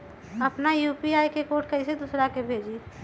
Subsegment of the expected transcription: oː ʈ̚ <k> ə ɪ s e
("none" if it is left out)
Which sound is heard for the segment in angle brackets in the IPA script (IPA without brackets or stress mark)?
k